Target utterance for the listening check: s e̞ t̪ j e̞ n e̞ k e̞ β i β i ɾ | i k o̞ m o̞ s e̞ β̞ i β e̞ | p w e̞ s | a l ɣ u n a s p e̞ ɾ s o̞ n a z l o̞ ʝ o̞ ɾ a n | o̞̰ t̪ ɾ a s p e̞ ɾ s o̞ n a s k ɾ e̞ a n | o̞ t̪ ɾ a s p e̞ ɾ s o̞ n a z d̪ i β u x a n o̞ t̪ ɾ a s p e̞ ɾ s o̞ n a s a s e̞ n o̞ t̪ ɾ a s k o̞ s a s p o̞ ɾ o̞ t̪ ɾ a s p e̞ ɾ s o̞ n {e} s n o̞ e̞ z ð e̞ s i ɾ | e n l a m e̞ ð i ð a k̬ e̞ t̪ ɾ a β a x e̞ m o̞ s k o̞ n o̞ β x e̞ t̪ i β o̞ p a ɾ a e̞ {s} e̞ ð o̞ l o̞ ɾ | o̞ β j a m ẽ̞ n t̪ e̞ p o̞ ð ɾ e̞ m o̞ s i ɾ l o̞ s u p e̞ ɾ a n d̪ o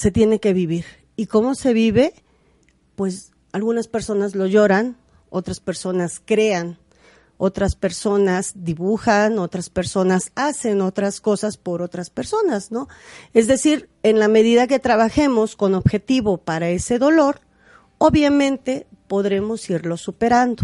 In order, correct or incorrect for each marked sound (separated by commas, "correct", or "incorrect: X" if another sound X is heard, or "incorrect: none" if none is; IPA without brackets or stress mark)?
incorrect: a, correct